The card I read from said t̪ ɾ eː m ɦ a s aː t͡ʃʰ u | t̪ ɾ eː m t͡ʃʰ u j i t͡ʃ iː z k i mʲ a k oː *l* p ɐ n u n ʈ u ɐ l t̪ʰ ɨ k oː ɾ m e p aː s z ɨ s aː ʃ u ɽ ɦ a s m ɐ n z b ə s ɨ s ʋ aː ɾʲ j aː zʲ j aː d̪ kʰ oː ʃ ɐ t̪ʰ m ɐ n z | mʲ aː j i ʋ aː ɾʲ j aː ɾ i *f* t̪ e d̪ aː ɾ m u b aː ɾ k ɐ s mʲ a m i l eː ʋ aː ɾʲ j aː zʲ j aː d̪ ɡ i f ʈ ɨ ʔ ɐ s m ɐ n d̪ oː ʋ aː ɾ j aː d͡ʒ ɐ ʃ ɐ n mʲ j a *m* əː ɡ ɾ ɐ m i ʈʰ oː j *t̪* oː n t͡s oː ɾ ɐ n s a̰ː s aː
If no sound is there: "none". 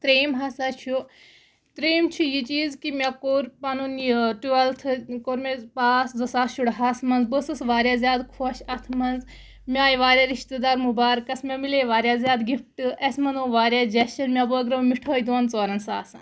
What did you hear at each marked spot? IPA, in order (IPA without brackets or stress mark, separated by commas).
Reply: ɾ, ʃ, b, d̪